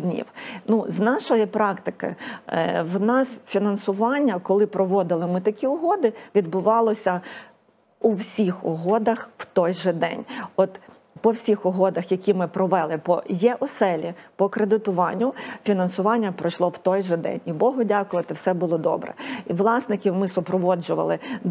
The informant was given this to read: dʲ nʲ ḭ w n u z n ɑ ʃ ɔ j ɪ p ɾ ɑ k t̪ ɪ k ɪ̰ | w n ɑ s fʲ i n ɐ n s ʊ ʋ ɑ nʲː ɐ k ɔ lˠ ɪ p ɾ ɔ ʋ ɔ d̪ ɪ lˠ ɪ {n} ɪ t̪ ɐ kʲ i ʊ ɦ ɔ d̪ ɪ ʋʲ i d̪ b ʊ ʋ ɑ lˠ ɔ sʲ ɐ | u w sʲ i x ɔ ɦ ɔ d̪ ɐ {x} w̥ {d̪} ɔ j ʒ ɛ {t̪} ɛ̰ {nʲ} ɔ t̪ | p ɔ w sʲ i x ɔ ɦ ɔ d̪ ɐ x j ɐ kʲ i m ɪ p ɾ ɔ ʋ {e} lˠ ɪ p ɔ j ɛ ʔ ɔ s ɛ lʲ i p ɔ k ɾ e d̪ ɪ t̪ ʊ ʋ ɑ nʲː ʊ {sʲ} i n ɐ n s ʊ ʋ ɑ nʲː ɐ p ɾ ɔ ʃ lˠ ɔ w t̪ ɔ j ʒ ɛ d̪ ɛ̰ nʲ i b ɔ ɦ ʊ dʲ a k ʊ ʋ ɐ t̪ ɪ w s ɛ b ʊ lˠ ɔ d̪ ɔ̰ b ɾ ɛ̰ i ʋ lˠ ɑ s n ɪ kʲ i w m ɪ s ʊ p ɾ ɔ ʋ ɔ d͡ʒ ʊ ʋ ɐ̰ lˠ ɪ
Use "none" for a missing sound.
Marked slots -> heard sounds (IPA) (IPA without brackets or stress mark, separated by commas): m, x, t̪, d̪, nʲ, ɛ, fʲ